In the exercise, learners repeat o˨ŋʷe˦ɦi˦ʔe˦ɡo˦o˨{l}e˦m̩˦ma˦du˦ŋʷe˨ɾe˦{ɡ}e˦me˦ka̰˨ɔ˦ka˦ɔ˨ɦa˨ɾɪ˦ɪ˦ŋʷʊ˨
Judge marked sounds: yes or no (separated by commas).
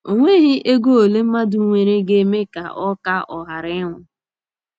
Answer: yes, yes